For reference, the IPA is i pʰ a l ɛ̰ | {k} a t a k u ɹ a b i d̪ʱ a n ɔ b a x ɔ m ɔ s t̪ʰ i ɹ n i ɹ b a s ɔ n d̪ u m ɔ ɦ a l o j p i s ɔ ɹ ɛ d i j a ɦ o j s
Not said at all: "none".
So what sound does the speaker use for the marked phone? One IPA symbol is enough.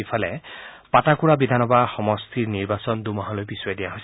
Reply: p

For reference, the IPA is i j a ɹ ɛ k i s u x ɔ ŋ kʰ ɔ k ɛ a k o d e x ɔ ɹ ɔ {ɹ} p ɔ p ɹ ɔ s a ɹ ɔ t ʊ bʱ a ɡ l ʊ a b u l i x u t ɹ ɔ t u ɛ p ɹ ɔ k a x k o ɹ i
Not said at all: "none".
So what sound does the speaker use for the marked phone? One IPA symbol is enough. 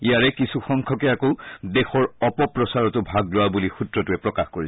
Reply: none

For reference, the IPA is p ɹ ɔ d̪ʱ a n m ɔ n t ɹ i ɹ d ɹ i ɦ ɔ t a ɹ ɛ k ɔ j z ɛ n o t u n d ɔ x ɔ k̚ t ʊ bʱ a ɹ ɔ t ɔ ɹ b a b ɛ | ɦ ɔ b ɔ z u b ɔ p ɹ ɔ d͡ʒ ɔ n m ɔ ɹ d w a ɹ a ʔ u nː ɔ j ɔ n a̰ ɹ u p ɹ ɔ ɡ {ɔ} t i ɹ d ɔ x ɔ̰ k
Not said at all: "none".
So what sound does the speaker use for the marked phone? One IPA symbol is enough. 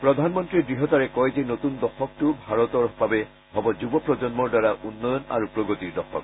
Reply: o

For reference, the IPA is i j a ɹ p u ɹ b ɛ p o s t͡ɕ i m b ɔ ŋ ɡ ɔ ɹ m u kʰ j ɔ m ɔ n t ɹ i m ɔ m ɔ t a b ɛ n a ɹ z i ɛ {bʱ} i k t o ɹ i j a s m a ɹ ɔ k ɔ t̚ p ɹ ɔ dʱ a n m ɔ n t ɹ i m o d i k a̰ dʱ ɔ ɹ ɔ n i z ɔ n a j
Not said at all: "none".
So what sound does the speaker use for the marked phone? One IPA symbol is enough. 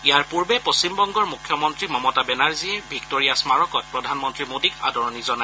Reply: bʱ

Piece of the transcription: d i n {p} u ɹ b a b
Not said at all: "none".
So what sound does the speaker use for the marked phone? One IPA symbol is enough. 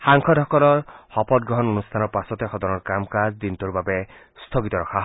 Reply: t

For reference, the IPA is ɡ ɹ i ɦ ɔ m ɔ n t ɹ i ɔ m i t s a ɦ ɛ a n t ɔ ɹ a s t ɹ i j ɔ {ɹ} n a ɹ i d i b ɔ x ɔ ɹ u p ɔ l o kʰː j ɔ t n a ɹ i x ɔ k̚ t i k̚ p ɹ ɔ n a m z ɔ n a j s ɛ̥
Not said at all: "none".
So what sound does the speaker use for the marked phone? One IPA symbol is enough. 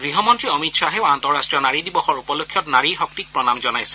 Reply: none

